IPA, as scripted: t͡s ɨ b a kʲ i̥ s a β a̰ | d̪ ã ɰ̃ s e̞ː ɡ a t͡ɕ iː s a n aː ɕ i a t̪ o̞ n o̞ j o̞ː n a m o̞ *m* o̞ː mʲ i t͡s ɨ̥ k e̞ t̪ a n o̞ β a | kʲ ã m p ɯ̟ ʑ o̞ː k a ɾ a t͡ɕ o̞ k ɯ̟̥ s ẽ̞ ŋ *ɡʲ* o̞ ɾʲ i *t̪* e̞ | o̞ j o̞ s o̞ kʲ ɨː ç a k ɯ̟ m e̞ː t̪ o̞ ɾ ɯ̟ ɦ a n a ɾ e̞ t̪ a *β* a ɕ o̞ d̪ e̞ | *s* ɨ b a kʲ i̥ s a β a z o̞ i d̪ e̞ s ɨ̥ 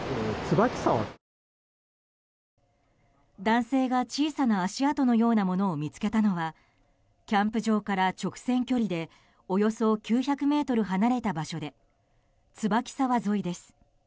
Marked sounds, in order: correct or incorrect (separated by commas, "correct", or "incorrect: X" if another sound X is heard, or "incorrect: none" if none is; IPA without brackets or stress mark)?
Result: incorrect: n, incorrect: kʲ, incorrect: d̪, incorrect: b, incorrect: t͡s